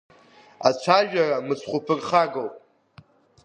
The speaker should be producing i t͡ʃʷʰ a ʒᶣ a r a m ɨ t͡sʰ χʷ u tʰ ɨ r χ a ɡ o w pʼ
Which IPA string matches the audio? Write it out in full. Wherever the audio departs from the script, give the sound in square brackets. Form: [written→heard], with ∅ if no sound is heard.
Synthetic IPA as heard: [i→a] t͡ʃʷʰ a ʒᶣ a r a m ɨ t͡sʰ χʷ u [tʰ→pʰ] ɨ r χ a ɡ o w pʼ